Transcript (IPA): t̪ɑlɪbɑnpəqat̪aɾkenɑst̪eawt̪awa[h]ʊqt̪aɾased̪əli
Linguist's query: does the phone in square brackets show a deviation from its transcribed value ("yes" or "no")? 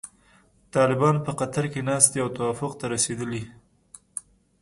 yes